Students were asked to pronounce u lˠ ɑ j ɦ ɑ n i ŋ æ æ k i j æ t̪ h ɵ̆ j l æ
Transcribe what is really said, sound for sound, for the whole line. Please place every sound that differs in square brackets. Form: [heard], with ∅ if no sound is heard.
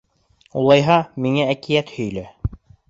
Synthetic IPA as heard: u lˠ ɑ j ɦ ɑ [m] i ŋ æ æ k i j æ t̪ h ɵ̆ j l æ